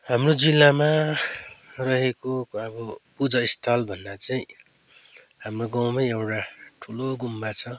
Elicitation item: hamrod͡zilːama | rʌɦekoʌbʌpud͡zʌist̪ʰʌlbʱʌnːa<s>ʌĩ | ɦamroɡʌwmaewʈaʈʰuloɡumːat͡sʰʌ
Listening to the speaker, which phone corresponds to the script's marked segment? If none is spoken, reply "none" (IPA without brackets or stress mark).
t͡s